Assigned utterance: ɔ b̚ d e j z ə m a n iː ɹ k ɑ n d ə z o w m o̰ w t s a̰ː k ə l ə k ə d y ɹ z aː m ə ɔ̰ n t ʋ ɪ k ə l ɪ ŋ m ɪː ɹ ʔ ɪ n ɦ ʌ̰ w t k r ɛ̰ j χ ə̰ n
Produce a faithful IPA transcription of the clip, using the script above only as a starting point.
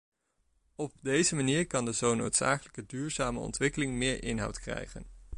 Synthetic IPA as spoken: ɔ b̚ d e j z ə m a n iː ɹ k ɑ n d ə z o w n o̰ w t s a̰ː k ə l ə k ə d yː ɹ z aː m ə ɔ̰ n t ʋ ɪ k ə l ɪ ŋ m ɪː ɹ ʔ ɪ n ɦ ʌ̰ w t k r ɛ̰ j χ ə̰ n